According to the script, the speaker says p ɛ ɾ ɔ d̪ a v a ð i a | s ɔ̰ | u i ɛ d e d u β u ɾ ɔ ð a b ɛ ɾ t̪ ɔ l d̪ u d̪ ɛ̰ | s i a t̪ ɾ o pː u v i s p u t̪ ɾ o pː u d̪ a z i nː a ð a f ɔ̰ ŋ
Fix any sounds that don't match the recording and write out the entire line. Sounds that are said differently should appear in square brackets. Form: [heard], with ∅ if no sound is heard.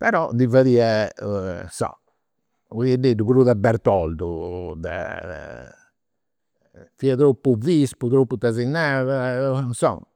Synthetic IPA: p ɛ ɾ ɔ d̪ [i] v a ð i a | s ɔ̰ | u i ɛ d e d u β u ɾ [u] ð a b ɛ ɾ t̪ ɔ l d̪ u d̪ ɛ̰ | [f] i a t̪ ɾ o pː u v i s p u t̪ ɾ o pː u [t̪] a z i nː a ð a [s] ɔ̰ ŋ

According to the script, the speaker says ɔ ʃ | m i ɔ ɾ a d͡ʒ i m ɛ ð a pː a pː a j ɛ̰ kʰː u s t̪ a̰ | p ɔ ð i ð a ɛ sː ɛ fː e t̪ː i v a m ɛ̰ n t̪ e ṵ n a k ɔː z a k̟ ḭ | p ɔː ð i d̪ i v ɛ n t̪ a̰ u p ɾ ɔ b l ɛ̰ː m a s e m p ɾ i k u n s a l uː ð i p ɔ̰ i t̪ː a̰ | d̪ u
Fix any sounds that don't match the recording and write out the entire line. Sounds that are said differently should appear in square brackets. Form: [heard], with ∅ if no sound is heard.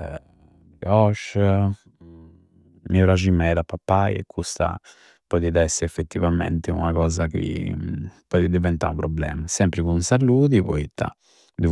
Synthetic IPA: ɔ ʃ | m i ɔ ɾ a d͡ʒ i m ɛ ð a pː a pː a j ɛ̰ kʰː u s t̪ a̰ | p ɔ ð i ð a ɛ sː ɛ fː e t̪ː i v a m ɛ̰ n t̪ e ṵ n a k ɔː z a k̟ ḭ | p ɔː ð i d̪ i v ɛ n t̪ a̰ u p ɾ ɔ b l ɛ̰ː m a s [ɛ] m p ɾ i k u n s a l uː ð i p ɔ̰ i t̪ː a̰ | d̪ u

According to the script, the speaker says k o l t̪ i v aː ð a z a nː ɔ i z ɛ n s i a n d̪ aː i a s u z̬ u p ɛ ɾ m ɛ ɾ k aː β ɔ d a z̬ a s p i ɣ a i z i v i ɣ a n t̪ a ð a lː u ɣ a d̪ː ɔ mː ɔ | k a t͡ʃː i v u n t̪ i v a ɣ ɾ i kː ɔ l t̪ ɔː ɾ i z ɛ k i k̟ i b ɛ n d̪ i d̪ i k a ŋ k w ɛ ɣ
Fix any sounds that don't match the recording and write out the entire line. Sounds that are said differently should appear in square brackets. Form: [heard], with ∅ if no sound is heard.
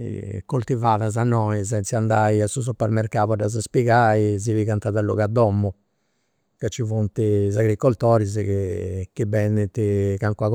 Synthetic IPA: k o l t̪ i v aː ð a z a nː ɔ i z ɛ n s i a n d̪ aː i a s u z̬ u p ɛ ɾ m ɛ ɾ k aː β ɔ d a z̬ a s p i ɣ a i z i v i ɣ a n t̪ a ð a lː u ɣ a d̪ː ɔ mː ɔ | k a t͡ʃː i v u n t̪ i [z] a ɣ ɾ i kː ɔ l t̪ ɔː ɾ i z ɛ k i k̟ i b ɛ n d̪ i [t̪] i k a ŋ k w [a] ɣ

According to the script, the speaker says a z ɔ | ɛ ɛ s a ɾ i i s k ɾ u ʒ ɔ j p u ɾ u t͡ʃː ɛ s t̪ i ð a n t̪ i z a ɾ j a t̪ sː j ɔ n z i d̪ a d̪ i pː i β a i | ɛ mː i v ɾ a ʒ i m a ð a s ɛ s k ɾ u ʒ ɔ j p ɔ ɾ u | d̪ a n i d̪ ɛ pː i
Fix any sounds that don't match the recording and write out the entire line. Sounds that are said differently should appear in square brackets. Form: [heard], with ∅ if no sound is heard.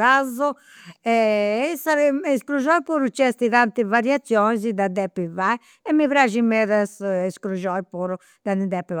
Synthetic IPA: a z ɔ | ɛ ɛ s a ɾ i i s k ɾ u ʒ ɔ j p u ɾ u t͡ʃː ɛ s t̪ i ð a n t̪ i [v] a ɾ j a t̪ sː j ɔ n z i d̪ a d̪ [ɛ] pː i [v] a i | ɛ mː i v ɾ a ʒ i m [ɛ] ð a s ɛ s k ɾ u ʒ ɔ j p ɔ ɾ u | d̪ a n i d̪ ɛ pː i

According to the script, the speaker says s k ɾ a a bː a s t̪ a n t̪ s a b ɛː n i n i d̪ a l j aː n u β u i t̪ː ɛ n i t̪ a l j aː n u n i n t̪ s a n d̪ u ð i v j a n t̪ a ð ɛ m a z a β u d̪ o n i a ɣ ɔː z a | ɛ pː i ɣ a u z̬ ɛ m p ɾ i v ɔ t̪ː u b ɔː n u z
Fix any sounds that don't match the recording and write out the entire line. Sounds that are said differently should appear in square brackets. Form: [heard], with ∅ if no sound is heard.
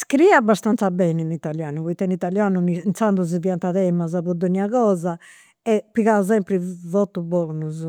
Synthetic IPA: s k ɾ [i] a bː a s t̪ a n t̪ s a b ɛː n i n i [t̪] a l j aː n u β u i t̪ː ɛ n i t̪ a l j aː n u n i n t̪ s a n d̪ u [z] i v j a n t̪ a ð ɛ m a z a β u d̪ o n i a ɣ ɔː z a | ɛ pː i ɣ a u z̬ ɛ m p ɾ i v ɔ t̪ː u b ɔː n u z

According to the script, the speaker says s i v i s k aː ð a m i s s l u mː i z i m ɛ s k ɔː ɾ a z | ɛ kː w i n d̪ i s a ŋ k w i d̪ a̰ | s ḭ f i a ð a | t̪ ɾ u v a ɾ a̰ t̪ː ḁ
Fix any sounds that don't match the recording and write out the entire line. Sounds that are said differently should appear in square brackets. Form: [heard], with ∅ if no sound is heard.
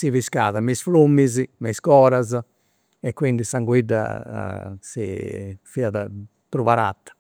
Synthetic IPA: s i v i s k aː ð a m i s [f] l u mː i z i m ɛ s k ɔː ɾ a z | ɛ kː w i n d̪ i s a ŋ [ɡ] w i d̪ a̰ | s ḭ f i a ð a | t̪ ɾ u v a ɾ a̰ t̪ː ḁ

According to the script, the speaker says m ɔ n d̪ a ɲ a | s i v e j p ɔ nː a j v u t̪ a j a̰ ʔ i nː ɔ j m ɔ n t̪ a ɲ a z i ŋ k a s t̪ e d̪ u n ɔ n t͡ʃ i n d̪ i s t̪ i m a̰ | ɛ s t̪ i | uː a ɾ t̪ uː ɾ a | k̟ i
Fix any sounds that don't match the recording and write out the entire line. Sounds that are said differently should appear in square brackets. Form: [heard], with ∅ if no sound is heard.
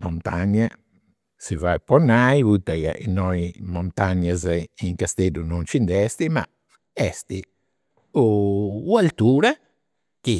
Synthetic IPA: m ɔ n [t̪] a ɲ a | s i v [a] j p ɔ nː a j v u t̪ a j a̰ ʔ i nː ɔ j m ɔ n t̪ a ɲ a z i ŋ k a s t̪ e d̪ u n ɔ n t͡ʃ i n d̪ [ɛ] s t̪ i m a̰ | ɛ s t̪ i | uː a [l] t̪ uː ɾ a | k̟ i

